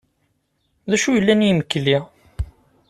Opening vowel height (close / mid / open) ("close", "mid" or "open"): open